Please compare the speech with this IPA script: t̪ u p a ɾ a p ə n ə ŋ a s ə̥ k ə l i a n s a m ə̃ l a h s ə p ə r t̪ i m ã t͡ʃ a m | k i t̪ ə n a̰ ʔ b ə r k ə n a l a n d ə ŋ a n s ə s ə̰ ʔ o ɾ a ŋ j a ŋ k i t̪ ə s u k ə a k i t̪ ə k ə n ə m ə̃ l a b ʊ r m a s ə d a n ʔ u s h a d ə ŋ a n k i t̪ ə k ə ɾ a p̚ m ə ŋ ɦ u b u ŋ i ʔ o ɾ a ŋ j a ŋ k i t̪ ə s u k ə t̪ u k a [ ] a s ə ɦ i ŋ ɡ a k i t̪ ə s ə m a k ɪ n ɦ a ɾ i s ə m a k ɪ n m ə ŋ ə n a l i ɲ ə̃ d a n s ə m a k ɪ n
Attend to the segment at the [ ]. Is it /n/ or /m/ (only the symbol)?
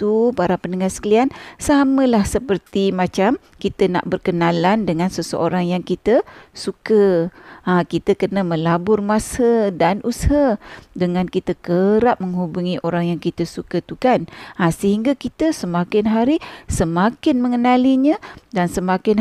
n